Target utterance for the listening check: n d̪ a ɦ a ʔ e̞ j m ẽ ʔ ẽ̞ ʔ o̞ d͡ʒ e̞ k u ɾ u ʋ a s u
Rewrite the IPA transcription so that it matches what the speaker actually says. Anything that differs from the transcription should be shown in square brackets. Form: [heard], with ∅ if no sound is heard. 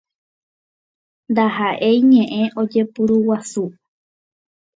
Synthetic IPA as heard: n d̪ a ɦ a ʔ e̞ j [ɲ] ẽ ʔ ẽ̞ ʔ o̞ d͡ʒ e̞ [p] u ɾ u [w] a s u